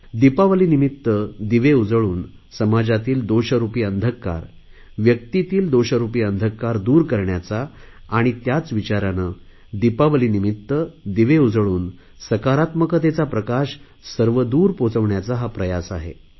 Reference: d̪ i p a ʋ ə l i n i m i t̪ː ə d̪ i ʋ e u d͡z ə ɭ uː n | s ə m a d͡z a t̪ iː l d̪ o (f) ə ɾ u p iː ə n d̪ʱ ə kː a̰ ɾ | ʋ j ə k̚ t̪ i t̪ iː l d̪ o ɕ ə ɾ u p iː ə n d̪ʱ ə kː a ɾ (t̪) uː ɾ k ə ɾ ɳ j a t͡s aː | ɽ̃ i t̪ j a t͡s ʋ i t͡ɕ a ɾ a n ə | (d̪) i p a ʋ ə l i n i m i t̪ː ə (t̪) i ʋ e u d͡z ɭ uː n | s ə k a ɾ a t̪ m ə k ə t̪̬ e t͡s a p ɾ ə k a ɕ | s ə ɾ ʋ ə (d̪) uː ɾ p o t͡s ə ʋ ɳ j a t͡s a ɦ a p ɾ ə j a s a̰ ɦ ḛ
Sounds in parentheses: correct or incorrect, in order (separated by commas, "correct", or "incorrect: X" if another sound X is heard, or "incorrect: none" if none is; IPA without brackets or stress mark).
incorrect: ɕ, incorrect: d̪, correct, incorrect: d̪, correct